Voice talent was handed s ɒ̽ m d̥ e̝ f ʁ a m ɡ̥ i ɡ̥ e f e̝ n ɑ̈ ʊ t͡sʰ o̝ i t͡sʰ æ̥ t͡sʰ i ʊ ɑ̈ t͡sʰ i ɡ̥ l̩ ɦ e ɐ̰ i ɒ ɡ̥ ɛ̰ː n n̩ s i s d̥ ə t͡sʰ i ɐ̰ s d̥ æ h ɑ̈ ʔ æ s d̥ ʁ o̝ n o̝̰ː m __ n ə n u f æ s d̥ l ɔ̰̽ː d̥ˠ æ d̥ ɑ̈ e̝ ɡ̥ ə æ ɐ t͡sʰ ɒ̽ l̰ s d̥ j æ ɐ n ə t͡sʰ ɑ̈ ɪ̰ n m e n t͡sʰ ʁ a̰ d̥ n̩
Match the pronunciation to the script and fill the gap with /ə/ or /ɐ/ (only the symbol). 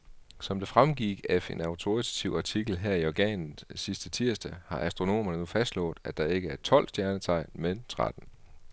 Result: ɐ